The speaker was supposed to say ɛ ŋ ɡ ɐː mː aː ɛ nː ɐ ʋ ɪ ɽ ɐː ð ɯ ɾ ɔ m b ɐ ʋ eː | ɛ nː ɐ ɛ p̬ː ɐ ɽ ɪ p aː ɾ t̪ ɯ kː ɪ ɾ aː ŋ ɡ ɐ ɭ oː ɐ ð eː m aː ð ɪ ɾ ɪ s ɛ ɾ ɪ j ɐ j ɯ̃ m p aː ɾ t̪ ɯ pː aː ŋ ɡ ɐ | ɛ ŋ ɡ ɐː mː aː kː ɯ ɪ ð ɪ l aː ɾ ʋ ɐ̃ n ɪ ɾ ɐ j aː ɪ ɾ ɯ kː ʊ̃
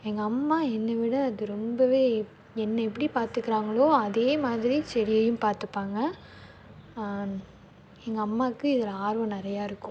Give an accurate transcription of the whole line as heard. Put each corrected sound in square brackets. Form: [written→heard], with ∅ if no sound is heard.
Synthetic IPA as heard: ɛ ŋ ɡ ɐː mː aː ɛ nː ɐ ʋ ɪ ɽ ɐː ð ɯ ɾ ɔ m b ɐ ʋ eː | ɛ nː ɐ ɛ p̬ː ɐ ɽ [ɪ→i] p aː ɾ t̪ ɯ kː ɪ ɾ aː ŋ ɡ ɐ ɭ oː ɐ ð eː m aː ð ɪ ɾ [ɪ→i] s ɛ ɾ ɪ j ɐ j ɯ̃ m p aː ɾ t̪ ɯ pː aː ŋ ɡ ɐ | ɛ ŋ ɡ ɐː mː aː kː ɯ ɪ ð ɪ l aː ɾ ʋ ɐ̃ n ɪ ɾ ɐ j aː ɪ ɾ ɯ kː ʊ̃